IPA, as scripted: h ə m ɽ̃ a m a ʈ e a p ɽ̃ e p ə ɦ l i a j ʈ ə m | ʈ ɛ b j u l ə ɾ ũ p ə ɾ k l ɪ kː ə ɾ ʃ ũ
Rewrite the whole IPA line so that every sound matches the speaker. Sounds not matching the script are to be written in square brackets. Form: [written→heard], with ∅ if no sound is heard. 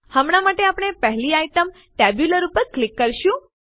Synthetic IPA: h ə m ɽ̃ a m a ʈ e a p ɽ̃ e p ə ɦ l i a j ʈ ə m | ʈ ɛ b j u l ə ɾ [ũ→u] p ə ɾ k l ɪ kː ə ɾ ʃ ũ